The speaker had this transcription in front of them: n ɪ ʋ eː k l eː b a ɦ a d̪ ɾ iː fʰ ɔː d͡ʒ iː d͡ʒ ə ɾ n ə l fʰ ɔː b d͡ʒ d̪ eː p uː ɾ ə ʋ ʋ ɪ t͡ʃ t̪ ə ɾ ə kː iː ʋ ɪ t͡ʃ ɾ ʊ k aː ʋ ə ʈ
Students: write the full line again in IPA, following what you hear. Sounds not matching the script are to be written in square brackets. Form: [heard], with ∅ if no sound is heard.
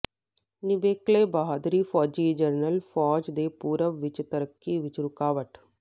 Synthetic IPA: n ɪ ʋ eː k l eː b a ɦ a d̪ ɾ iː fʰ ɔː d͡ʒ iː d͡ʒ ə ɾ n ə l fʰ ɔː [∅] d͡ʒ d̪ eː p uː ɾ ə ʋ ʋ ɪ t͡ʃ t̪ ə ɾ ə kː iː ʋ ɪ t͡ʃ ɾ ʊ k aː ʋ ə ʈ